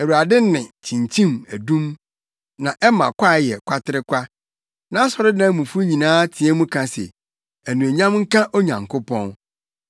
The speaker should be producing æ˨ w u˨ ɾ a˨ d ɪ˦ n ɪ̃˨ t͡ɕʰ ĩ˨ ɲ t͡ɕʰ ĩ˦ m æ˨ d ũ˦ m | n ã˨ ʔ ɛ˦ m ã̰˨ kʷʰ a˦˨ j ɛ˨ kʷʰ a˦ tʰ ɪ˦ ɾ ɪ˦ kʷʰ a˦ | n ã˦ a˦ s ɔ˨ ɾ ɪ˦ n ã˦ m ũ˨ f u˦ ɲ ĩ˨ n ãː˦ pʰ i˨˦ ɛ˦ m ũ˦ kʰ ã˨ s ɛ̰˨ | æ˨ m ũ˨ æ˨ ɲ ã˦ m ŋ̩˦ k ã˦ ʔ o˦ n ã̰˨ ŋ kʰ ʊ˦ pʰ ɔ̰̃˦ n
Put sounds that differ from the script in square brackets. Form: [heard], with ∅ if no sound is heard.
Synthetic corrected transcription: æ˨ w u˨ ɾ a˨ d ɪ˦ n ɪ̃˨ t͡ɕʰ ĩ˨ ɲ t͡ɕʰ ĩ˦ m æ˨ d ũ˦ m | n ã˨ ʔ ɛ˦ m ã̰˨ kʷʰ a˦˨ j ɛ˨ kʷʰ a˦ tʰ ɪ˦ ɾ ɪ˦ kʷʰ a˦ | n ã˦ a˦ s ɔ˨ ɾ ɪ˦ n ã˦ m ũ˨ f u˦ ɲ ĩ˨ n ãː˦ [tʰ] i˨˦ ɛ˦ m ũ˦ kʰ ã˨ s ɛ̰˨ | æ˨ [n] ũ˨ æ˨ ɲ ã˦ m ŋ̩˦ k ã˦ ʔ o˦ [ɲ] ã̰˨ ŋ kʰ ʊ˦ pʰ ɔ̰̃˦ n

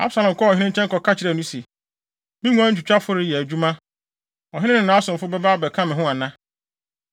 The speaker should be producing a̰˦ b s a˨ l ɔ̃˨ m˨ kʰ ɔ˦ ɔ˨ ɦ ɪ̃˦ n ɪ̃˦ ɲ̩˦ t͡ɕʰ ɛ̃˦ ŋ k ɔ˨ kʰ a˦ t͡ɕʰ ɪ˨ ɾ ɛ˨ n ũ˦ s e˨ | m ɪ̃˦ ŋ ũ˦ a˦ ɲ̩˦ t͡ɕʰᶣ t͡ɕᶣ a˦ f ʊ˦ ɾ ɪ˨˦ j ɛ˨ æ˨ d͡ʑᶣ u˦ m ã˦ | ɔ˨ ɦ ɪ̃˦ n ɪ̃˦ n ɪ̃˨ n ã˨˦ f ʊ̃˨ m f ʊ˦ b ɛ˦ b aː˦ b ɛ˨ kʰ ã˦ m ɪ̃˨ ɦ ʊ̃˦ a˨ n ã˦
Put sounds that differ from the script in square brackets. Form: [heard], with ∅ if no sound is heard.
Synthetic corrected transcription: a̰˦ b s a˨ l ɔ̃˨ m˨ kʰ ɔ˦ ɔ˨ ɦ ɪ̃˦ n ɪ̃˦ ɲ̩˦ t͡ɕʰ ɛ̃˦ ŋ k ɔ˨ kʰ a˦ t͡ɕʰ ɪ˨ ɾ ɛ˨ n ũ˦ s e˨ | m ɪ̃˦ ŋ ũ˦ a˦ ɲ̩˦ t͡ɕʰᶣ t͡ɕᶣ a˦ f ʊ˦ ɾ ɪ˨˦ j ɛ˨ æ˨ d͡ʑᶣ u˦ m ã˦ | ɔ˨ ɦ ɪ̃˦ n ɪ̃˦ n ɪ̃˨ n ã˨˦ [s] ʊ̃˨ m f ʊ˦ b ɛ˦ b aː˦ b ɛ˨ kʰ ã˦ m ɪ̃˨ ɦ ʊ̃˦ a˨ n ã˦

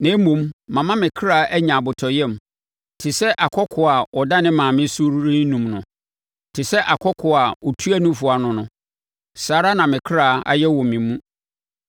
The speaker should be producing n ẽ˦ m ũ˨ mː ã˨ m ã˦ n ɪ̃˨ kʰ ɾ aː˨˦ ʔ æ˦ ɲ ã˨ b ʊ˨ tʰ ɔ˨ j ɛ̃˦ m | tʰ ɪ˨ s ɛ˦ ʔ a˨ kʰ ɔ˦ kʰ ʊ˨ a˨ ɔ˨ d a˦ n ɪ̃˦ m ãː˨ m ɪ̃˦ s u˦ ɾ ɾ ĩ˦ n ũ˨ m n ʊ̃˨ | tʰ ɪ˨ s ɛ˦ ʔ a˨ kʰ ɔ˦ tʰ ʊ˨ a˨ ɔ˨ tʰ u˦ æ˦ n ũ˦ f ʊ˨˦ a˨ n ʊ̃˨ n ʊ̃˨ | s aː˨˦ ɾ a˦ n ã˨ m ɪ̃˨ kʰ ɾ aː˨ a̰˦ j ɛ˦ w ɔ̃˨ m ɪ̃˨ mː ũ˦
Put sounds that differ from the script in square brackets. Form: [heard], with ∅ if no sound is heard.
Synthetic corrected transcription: n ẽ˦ m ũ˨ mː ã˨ m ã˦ [m] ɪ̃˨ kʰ ɾ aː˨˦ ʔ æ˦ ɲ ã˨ b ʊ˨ tʰ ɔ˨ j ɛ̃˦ m | tʰ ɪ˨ s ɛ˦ ʔ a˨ kʰ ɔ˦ kʰ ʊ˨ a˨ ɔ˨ d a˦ n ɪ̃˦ m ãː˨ m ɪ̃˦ s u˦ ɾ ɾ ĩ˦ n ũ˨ m n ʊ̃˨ | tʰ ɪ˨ s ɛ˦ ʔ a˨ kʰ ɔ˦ [kʰ] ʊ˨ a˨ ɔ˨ tʰ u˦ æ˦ n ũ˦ f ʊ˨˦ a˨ n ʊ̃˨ n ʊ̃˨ | s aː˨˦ ɾ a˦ n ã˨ m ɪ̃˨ kʰ ɾ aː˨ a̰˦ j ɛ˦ w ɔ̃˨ m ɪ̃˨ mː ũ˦

